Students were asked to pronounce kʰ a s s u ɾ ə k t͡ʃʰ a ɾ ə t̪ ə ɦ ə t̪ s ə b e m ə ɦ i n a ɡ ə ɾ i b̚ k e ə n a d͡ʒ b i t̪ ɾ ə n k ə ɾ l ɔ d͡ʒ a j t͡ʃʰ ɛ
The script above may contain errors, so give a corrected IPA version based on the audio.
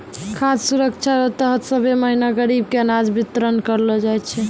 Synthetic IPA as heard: kʰ a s s u ɾ ə k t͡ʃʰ a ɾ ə t̪ ə ɦ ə t̪ s ə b e m ə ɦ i n a ɡ ə ɾ i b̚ k e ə n a d͡ʒ b i t̪ ɾ ə n k ə ɾ l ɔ d͡ʒ a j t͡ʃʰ ɛ